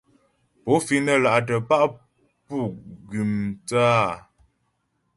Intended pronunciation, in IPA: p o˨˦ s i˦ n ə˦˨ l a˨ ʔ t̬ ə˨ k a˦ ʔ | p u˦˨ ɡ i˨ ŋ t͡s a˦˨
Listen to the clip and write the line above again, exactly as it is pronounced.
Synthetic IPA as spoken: p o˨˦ f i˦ n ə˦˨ l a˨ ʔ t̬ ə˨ p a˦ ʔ | p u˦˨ ɡ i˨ m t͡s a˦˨